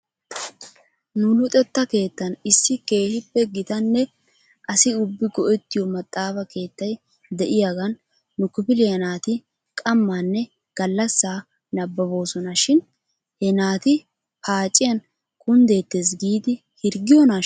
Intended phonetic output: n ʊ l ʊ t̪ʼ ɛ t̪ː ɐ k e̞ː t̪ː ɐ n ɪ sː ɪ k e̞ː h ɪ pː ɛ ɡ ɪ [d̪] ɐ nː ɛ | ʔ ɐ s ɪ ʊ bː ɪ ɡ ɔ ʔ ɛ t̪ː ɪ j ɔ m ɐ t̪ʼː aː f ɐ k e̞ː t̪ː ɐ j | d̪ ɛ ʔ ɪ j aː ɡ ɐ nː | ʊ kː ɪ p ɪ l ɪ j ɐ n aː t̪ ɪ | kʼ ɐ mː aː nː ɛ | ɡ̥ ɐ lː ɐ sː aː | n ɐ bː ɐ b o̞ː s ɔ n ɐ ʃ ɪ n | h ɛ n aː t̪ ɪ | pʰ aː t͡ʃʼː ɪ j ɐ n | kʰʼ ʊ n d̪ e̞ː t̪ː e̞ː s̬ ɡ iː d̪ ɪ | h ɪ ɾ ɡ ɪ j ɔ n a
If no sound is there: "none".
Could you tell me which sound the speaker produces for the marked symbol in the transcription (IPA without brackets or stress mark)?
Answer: t̪